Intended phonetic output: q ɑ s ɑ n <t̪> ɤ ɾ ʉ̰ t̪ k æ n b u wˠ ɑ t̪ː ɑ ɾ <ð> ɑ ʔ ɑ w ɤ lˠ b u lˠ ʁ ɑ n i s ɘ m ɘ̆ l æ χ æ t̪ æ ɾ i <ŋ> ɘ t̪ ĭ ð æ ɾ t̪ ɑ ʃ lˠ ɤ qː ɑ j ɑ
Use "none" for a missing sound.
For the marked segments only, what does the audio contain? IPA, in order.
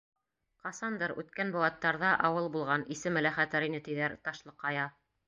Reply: d̪, ð, n

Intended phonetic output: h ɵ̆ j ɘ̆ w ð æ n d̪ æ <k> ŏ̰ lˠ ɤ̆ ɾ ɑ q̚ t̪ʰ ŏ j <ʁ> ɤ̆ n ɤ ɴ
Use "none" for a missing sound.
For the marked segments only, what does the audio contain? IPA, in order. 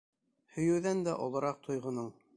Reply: ʔ, ʁ

